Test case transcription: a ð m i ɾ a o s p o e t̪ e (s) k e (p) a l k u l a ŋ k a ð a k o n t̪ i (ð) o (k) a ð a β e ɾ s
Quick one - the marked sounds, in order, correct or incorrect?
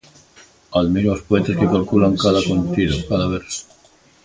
correct, incorrect, correct, correct

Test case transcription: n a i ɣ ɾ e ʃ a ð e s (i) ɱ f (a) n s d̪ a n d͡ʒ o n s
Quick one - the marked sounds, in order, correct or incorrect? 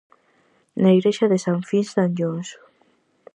incorrect, incorrect

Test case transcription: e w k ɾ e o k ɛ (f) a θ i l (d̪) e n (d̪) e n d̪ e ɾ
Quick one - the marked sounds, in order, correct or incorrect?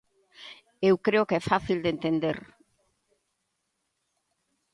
correct, correct, incorrect

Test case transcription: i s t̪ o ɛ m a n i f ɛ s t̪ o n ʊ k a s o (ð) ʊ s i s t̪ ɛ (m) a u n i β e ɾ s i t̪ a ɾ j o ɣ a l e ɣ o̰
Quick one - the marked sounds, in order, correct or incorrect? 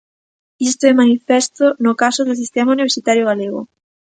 correct, correct

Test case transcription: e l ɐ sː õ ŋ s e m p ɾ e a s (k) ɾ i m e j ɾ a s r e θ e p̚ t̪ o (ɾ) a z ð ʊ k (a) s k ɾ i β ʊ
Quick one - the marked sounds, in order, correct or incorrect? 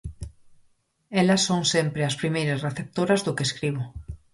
incorrect, correct, incorrect

